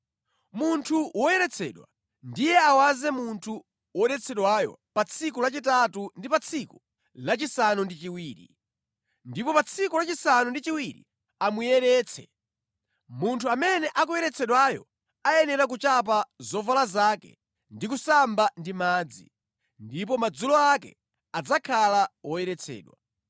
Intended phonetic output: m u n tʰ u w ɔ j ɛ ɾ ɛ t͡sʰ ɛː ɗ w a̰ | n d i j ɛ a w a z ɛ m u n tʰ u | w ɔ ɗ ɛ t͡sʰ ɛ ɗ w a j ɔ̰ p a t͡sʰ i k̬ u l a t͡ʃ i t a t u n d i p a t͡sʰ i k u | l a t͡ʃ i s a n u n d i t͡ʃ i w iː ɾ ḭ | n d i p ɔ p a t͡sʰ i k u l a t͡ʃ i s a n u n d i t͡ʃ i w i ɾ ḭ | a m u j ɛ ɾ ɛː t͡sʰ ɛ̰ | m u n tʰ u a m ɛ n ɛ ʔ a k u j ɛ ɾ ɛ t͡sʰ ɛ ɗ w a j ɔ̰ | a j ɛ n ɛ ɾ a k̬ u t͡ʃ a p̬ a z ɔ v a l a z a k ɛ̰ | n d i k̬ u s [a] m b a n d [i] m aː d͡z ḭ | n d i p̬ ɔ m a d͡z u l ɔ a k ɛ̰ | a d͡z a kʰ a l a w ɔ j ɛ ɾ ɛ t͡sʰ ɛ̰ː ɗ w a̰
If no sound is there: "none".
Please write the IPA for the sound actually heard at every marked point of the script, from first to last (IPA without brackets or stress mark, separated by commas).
a, i